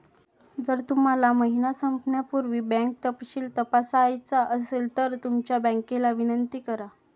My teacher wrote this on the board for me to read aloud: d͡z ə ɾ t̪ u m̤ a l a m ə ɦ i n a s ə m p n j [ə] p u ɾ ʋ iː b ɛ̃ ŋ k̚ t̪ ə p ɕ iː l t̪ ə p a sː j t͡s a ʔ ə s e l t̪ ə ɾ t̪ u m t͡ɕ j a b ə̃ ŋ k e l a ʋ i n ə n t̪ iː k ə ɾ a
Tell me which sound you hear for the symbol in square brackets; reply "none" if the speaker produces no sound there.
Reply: a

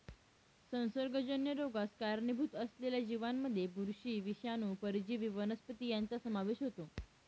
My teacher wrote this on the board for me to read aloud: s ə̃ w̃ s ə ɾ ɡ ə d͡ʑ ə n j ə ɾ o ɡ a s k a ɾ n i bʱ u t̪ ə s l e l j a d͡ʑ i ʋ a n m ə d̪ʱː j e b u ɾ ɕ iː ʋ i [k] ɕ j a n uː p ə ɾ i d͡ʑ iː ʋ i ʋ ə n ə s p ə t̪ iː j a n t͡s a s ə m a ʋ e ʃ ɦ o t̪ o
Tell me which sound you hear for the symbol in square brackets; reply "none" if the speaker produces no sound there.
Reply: none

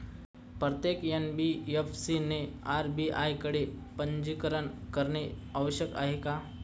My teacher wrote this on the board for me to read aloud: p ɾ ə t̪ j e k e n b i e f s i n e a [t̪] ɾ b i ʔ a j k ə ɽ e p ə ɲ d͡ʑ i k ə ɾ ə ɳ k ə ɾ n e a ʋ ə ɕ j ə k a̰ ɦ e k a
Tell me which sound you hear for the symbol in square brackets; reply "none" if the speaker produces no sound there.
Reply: none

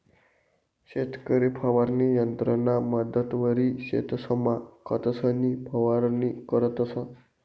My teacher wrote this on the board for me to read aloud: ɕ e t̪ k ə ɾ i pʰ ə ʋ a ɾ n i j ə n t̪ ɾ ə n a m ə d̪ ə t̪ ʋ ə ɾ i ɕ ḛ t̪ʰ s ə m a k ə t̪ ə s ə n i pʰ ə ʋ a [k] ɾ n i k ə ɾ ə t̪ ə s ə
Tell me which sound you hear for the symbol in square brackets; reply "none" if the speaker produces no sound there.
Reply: none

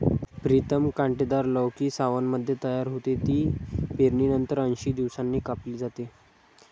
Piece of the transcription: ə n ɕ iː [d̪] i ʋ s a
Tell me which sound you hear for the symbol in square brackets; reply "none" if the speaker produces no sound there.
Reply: d̪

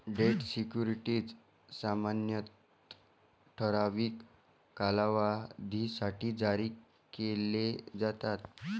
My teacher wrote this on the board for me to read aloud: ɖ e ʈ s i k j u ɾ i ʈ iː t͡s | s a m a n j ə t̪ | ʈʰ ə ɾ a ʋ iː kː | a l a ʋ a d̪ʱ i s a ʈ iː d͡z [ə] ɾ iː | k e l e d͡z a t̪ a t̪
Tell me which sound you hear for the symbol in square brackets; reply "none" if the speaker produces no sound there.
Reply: a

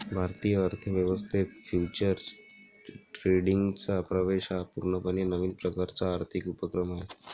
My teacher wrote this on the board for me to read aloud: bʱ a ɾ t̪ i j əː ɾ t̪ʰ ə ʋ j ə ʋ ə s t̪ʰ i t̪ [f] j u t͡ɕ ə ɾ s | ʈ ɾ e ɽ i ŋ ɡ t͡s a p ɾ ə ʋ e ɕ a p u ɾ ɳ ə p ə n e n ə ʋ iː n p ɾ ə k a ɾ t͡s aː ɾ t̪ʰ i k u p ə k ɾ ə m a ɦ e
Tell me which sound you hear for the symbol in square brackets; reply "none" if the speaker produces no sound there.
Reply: f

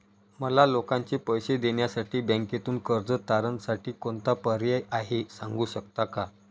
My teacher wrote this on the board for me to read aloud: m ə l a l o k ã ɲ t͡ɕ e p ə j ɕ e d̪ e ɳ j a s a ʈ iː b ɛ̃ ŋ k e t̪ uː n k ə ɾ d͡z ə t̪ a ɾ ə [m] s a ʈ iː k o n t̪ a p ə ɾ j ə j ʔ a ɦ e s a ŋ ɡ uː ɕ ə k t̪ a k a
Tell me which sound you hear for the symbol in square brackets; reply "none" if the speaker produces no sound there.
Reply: n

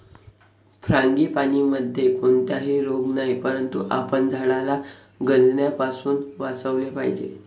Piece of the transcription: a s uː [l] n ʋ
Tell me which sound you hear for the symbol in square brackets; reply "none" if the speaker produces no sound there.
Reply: none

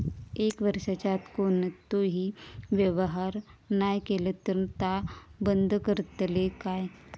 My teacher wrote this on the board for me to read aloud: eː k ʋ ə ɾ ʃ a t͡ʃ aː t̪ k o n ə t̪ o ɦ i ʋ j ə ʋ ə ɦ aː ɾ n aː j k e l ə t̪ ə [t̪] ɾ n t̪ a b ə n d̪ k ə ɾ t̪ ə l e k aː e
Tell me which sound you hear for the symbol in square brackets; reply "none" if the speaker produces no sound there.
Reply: none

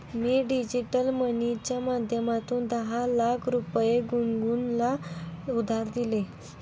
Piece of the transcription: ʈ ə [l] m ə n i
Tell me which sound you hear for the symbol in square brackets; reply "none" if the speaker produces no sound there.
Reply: l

